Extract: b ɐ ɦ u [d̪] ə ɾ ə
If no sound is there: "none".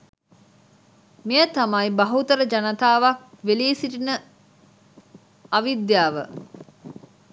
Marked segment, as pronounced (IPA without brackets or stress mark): t̪